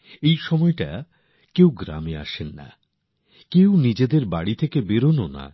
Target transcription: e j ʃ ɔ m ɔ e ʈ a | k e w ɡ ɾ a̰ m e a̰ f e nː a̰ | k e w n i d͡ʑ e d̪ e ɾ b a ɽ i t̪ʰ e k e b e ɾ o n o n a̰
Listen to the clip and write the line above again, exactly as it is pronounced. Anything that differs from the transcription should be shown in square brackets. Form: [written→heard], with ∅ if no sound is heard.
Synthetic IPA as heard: e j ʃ ɔ m ɔ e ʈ a | k e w ɡ ɾ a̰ m e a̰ [f→ʃ] e nː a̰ | k e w n i d͡ʑ e d̪ e ɾ b a ɽ i t̪ʰ e k e b e ɾ o n o n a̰